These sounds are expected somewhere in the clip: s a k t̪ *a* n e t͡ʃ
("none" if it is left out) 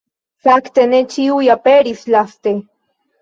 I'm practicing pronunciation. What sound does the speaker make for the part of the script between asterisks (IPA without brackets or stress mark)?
e